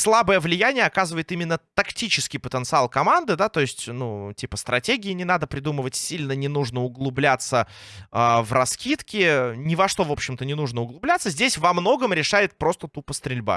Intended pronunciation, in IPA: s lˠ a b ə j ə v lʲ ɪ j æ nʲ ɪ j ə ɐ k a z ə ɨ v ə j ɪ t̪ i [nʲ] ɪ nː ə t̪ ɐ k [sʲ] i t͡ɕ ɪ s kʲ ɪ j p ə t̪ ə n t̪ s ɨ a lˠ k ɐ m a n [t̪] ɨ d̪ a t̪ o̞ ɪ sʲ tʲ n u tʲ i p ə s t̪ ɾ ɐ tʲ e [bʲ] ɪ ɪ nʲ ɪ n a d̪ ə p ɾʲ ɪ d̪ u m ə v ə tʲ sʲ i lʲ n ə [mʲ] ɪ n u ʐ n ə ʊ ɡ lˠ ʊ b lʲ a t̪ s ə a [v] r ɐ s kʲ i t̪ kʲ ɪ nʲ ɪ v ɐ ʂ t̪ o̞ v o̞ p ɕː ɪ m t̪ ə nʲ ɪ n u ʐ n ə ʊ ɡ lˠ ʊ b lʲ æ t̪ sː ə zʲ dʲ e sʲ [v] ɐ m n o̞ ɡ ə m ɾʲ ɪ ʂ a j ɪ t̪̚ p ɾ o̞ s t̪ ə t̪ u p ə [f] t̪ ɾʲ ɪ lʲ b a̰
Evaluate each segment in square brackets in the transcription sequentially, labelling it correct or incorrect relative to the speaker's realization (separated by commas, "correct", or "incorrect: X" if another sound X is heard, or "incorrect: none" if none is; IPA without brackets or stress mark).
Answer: incorrect: mʲ, incorrect: tʲ, incorrect: d̪, incorrect: ɡʲ, incorrect: nʲ, correct, correct, incorrect: s